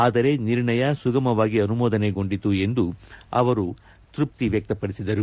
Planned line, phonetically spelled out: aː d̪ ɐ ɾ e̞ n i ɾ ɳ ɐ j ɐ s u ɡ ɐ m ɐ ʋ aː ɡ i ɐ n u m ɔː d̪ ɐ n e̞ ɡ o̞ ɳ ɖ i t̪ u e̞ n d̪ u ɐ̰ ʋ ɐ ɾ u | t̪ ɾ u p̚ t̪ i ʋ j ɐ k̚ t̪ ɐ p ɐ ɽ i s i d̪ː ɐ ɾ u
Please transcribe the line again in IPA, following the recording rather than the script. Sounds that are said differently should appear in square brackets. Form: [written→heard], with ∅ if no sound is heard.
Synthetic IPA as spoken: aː d̪ ɐ ɾ e̞ n i ɾ ɳ ɐ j ɐ s u ɡ ɐ m ɐ ʋ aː ɡ i ɐ n u m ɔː d̪ ɐ n e̞ ɡ o̞ ɳ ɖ i t̪ u e̞ n d̪ u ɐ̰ ʋ ɐ ɾ u | t̪ ɾ u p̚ t̪ i ʋ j ɐ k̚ t̪ ɐ p ɐ ɽ i s i [d̪ː→d̪] ɐ ɾ u